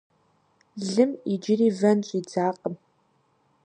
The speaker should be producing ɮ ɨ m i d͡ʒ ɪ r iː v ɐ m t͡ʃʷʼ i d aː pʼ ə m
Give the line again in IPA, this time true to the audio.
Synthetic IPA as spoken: ɮ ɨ m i d͡ʒ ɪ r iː v ɐ n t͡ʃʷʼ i d͡z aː qʼ ə m